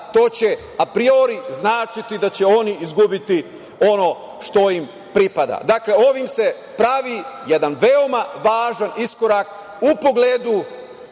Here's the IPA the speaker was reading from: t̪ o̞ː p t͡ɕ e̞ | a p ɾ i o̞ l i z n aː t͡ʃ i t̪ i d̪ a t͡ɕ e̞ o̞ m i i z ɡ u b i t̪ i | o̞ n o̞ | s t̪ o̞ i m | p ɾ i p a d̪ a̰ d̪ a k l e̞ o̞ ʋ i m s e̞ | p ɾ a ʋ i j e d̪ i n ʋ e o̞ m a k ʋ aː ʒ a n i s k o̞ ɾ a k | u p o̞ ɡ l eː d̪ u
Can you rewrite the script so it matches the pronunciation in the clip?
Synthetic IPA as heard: t̪ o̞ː t͡ɕ e̞ | a p ɾ i o̞ ɾ i z n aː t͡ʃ i t̪ i d̪ a t͡ɕ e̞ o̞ n i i z ɡ u b i t̪ i | o̞ n o̞ | ʃ t̪ o̞ i m | p ɾ i p a d̪ a̰ d̪ a k l e̞ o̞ ʋ i m s e̞ | p ɾ a ʋ i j e d̪ a n ʋ e o̞ m a ʋ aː ʒ a n i s k o̞ ɾ a k | u p o̞ ɡ l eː d̪ u